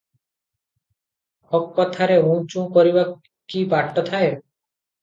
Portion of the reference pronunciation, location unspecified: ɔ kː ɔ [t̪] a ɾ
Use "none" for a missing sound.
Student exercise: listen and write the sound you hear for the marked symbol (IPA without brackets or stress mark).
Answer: t̪ʰ